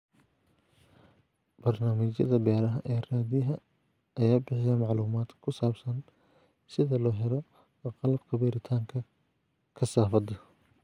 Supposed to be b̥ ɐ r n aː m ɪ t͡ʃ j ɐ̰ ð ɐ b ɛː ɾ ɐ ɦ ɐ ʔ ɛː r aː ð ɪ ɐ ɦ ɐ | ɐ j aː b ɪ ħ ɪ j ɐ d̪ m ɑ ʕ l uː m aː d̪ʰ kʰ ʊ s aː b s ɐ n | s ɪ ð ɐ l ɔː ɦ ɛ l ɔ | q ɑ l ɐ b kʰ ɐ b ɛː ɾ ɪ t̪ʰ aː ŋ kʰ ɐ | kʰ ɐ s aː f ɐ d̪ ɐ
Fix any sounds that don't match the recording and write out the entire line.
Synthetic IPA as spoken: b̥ ɐ r n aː m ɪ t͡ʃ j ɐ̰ ð ɐ b ɛː ɾ ɐ ɦ ɐ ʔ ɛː r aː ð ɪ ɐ ɦ ɐ | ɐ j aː b ɪ ħ ɪ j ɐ m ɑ ʕ l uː m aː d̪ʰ kʰ ʊ s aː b s ɐ n | s ɪ ð ɐ l ɔː ɦ ɛ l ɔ | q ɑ l ɐ b kʰ ɐ b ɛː ɾ ɪ t̪ʰ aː ŋ kʰ ɐ | kʰ ɐ s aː f ɐ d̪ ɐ

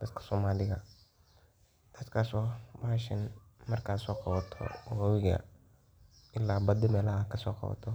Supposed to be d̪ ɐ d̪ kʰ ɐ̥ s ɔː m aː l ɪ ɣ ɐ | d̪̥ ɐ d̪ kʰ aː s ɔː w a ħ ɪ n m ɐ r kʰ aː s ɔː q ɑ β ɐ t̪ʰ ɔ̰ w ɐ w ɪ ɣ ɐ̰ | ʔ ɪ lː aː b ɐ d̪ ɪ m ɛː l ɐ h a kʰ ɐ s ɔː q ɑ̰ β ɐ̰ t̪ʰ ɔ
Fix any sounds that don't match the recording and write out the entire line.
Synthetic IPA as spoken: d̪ ɐ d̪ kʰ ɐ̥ s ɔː m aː l ɪ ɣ ɐ | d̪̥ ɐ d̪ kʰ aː s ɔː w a ʃ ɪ n m ɐ r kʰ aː s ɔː q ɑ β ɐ t̪ʰ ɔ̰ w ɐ w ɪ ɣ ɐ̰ | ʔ ɪ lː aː b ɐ d̪ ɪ m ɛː l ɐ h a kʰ ɐ s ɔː q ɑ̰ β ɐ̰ t̪ʰ ɔ

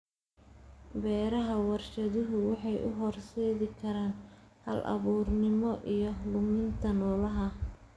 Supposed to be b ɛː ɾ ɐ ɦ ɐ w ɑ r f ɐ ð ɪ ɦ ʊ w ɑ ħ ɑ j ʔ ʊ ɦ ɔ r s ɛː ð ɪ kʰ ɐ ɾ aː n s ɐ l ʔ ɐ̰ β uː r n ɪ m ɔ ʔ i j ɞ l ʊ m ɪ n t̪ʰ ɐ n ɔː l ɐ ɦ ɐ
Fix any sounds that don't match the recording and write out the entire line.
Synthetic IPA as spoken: b ɛː ɾ ɐ ɦ ɐ w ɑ r ʃ ɐ ð ɪ ɦ ʊ w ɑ ħ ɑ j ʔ ʊ ɦ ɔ r s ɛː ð ɪ kʰ ɐ ɾ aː n h ɐ l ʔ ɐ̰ β uː r n ɪ m ɔ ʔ i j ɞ l ʊ m ɪ n t̪ʰ ɐ n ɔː l ɐ ɦ ɐ

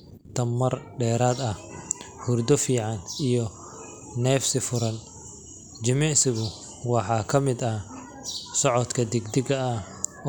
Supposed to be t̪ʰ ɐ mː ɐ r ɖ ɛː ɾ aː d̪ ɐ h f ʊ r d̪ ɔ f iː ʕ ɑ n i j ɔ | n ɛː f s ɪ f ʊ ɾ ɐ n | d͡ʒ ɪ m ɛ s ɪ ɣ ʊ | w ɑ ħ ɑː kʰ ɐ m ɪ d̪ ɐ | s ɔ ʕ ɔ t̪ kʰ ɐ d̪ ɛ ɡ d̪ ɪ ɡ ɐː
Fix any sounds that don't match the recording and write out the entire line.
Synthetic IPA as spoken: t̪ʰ ɐ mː ɐ r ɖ ɛː ɾ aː d̪ ɐ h h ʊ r d̪ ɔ f iː ʕ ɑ n i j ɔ | n ɛː f s ɪ f ʊ ɾ ɐ n | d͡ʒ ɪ m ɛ s ɪ ɣ ʊ | w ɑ ħ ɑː kʰ ɐ m ɪ d̪ ɐ | s ɔ ʕ ɔ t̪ kʰ ɐ d̪ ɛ ɡ d̪ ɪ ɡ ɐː

